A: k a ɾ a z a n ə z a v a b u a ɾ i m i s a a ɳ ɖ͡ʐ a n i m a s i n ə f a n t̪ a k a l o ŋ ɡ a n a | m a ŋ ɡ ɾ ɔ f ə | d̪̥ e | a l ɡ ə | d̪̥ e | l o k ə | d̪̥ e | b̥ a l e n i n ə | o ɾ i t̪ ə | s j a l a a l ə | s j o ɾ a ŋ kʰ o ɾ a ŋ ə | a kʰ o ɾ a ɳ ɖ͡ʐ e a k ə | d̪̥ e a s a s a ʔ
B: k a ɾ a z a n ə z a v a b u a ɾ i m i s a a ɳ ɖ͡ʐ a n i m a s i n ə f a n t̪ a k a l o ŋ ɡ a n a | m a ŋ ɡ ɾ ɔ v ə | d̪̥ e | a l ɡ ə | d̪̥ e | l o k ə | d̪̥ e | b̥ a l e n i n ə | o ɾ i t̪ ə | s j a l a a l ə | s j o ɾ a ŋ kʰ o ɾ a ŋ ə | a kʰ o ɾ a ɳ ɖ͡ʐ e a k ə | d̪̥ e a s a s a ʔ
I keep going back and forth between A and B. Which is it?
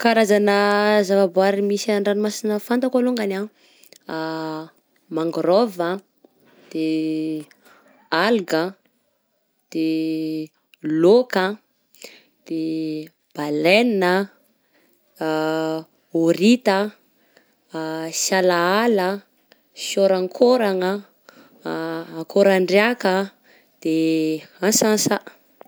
B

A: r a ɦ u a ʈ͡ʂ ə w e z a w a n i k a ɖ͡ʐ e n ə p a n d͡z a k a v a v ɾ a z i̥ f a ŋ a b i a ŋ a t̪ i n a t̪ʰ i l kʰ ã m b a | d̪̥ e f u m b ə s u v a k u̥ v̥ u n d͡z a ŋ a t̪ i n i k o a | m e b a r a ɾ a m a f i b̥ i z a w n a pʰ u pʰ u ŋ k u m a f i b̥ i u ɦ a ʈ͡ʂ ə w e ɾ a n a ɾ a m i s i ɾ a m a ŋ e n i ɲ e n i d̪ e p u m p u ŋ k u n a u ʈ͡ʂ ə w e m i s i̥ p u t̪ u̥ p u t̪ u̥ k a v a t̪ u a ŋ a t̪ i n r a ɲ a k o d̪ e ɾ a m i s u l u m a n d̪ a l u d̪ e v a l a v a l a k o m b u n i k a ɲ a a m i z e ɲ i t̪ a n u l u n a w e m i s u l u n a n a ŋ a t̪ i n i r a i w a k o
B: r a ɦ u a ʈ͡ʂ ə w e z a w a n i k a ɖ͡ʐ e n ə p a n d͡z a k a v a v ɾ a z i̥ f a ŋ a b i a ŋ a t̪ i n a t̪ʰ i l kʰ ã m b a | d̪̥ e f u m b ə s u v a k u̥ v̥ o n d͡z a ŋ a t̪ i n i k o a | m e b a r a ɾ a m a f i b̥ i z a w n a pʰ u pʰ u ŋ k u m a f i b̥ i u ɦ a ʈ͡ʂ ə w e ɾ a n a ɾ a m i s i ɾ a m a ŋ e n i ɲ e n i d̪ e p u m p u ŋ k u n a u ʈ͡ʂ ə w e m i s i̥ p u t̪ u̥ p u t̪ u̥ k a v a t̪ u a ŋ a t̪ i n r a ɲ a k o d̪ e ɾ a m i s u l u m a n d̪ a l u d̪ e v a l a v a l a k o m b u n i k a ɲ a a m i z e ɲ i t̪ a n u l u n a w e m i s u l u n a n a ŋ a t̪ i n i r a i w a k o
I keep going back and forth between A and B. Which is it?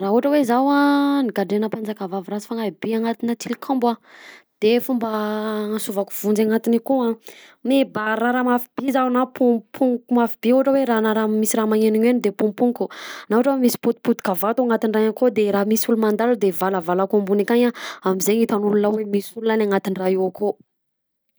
A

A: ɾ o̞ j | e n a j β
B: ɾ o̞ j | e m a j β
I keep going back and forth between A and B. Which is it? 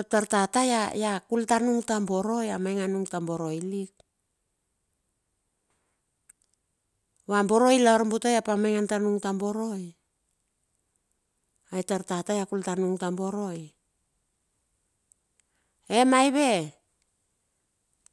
B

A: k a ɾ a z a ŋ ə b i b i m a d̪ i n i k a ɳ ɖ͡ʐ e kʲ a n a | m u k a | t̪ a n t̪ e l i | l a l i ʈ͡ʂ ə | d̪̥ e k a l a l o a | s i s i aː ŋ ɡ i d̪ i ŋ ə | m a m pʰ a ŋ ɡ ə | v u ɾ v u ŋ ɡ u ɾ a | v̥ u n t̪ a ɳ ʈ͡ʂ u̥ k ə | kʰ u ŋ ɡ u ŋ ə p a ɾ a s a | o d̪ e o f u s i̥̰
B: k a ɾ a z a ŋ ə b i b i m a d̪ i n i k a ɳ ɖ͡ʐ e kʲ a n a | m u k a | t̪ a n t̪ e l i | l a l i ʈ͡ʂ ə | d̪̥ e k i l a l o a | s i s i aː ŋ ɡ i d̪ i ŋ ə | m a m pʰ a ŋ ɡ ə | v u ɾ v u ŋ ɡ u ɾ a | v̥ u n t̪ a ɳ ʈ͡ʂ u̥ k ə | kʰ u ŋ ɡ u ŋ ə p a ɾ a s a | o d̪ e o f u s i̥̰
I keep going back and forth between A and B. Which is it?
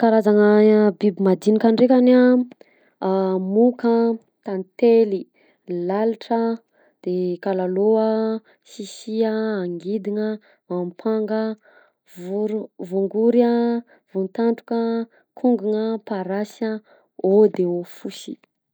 A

